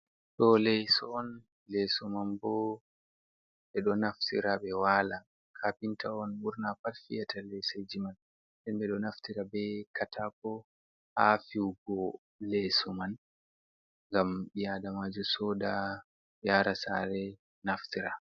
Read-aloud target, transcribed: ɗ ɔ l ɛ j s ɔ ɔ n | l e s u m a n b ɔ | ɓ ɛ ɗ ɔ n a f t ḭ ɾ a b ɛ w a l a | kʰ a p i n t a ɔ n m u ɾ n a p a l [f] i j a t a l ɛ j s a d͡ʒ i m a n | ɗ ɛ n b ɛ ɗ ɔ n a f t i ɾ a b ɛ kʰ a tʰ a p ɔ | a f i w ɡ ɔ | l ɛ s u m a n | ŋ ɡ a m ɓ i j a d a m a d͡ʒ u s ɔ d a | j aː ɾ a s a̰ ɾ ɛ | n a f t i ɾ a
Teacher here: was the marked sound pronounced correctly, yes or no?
yes